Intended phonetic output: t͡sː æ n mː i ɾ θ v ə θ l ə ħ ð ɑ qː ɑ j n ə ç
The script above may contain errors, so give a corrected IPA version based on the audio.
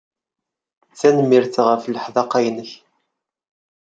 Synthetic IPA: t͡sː æ n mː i ɾ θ ʁ ə f l ə ħ ð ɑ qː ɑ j n ə ç